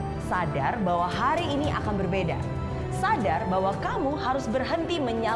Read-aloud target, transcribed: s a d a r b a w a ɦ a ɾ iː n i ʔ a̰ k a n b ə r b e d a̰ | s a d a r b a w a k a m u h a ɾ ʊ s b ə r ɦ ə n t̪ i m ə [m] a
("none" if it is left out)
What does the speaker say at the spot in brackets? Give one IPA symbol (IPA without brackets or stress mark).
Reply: ɲ